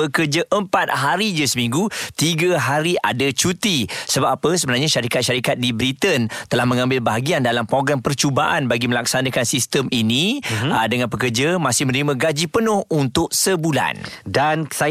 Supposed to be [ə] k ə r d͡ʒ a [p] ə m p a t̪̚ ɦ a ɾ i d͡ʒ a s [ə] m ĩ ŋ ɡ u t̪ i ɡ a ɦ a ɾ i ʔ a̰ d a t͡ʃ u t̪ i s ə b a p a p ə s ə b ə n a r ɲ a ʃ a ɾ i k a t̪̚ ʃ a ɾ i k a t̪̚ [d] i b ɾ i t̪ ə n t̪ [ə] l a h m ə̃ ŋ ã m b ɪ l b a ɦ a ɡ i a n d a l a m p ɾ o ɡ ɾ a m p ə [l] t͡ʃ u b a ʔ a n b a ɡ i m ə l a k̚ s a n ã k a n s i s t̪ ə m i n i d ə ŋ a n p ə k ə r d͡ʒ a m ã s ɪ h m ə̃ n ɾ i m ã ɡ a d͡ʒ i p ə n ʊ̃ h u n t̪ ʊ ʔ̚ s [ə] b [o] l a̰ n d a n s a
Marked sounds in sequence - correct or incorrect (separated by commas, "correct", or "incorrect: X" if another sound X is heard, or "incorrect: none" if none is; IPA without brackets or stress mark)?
correct, incorrect: ʔ, correct, correct, correct, incorrect: r, correct, incorrect: u